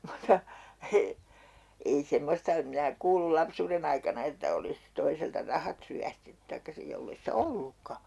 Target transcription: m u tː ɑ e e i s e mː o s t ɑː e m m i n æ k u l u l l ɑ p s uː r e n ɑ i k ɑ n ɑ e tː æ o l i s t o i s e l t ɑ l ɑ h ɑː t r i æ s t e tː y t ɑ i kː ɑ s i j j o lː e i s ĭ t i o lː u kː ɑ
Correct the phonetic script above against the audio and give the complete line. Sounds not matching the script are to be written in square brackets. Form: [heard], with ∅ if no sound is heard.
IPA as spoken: m u tː ɑ e e i s e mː o s t [ɑ] e m m i n æ k [uː] l u l l ɑ p s uː r e n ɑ i k ɑ n ɑ e tː æ o l i s t o i s e l t ɑ [r] ɑ h [ɑ] t r [y] æ s t e tː y t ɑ i kː ɑ s i j j o lː e i s ĭ t [æ] o lː u kː ɑ